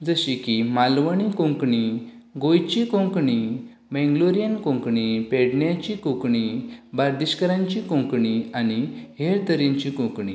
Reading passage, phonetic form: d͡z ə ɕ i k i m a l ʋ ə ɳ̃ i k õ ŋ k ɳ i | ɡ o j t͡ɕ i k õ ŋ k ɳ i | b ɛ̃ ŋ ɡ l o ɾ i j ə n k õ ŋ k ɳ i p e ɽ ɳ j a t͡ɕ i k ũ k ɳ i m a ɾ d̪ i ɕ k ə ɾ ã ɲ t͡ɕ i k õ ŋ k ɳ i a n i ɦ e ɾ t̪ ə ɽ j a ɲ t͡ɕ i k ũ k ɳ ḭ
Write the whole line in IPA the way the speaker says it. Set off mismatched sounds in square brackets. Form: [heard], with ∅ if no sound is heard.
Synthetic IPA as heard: d͡z ə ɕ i k i m a l ʋ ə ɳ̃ i k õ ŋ k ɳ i | ɡ o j t͡ɕ i k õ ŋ k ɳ i | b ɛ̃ ŋ ɡ l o ɾ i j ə n k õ ŋ k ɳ i p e ɽ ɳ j a t͡ɕ i k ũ k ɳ i [b] a ɾ d̪ i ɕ k ə ɾ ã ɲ t͡ɕ i k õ ŋ k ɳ i a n i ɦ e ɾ t̪ ə [ɾ] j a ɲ t͡ɕ i k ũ k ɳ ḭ